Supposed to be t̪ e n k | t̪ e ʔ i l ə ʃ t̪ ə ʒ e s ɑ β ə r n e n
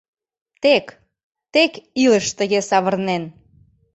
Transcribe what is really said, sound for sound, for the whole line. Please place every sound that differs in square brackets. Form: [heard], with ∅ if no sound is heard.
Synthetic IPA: t̪ e [∅] k | t̪ e [k] i l ə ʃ t̪ ə [ɣ] e s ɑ β ə r n e n